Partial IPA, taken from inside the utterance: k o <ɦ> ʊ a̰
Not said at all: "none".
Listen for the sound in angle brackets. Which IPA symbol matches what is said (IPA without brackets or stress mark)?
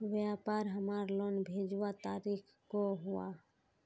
ɦ